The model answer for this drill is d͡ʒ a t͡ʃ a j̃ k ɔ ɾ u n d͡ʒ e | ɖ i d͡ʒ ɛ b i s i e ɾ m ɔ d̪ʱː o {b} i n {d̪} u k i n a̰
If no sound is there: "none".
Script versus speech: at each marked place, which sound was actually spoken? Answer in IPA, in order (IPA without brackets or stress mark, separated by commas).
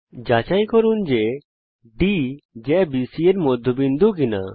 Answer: b, d̪